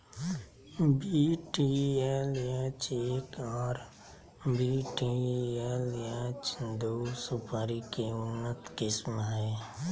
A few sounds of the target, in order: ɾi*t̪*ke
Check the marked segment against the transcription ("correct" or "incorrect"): incorrect